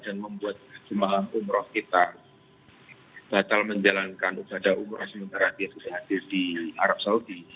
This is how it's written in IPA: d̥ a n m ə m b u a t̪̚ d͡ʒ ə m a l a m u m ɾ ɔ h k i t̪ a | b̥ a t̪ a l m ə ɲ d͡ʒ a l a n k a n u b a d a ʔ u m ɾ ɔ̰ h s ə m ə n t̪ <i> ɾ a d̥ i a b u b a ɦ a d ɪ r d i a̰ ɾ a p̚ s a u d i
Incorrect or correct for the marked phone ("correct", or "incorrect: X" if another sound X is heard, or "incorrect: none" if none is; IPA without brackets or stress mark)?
incorrect: a